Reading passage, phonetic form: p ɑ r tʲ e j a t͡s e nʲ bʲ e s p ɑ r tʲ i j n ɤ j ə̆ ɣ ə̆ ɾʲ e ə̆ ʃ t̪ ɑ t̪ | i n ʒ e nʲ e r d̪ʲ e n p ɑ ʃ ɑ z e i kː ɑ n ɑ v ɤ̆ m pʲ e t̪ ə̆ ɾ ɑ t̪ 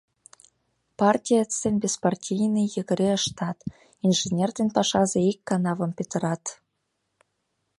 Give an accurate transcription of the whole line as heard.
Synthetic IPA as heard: p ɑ r tʲ i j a t͡s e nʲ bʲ e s p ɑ r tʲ i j n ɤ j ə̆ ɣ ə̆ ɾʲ e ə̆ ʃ t̪ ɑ t̪ | i n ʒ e nʲ e r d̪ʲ e n p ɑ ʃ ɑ z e i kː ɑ n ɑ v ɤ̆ m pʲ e t̪ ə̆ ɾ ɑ t̪